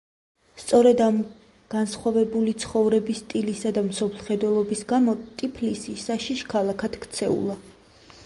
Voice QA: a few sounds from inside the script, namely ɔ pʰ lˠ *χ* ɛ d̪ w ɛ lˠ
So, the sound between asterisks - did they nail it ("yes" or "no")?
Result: yes